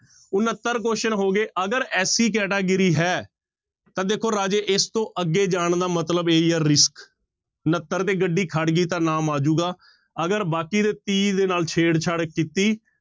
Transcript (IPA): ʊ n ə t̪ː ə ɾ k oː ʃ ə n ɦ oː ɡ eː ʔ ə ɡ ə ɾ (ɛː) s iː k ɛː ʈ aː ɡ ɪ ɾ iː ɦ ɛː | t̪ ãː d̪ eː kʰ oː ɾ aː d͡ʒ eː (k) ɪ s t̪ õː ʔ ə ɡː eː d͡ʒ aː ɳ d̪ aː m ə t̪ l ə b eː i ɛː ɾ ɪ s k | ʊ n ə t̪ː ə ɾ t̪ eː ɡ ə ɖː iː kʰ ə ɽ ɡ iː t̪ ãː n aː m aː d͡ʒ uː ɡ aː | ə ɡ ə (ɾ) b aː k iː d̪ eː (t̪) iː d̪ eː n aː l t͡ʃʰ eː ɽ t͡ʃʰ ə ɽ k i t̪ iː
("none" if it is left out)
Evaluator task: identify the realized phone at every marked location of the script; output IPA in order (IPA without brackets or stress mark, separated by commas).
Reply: ɛː, ʔ, ɾ, t̪